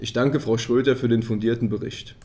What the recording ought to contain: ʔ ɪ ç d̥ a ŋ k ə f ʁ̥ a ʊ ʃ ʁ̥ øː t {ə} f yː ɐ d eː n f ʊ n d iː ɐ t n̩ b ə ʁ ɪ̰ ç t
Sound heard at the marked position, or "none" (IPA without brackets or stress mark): ɐ